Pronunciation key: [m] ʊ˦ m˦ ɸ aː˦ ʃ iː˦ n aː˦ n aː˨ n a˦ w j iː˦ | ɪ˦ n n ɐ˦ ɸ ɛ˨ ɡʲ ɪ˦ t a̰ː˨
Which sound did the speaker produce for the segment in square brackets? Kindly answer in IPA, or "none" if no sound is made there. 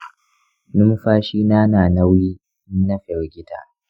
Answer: n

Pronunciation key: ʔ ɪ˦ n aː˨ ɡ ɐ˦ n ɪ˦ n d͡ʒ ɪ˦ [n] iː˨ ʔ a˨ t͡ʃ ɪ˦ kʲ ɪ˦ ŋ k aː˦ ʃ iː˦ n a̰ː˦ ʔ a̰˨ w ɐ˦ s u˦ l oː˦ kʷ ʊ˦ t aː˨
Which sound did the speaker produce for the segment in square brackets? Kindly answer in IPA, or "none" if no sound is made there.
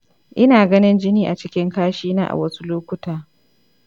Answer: n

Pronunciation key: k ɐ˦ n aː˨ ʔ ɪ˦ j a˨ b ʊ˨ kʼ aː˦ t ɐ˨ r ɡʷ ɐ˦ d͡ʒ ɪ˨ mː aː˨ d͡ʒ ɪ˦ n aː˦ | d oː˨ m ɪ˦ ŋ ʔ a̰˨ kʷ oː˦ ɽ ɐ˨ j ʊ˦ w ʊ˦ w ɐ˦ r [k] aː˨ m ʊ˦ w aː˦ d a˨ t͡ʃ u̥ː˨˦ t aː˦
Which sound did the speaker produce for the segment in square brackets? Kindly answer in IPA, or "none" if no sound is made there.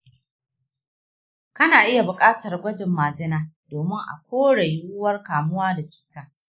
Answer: k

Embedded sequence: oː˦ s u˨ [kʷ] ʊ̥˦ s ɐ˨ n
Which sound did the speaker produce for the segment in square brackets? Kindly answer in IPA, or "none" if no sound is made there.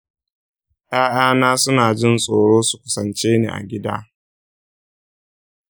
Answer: kʷ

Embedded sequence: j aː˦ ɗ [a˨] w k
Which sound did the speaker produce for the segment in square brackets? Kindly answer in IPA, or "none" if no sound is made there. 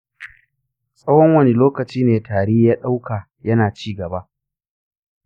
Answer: a˦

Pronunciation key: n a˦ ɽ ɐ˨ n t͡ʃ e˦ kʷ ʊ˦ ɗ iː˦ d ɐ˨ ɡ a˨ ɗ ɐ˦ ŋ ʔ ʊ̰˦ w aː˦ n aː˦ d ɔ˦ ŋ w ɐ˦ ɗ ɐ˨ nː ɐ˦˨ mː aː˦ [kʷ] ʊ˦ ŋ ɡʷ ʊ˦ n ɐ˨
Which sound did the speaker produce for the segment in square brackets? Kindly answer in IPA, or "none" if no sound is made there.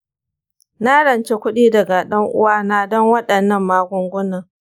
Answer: ɡʷ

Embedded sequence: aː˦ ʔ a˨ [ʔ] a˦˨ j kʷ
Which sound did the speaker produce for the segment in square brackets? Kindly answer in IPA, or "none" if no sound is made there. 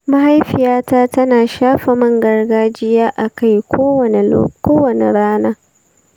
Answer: k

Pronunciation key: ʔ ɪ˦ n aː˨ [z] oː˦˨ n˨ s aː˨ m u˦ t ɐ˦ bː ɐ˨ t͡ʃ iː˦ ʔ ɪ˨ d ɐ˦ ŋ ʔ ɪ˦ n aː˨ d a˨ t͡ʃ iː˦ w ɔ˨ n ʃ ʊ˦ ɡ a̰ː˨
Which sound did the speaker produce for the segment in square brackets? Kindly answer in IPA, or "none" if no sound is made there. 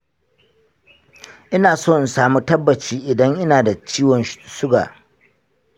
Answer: s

